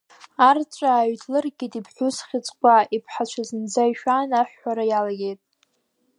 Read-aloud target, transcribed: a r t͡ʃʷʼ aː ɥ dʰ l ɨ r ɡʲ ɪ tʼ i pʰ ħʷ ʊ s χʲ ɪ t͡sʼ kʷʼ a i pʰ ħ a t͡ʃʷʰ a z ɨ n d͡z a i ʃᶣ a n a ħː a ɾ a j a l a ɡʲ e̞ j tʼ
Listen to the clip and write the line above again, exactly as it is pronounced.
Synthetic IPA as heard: a r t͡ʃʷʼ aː ɥ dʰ l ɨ r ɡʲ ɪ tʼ i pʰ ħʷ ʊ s χʲ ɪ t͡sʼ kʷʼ a i pʰ ħ a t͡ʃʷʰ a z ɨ n d͡z a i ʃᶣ a n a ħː a ɾ a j a l a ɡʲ e̞ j tʼ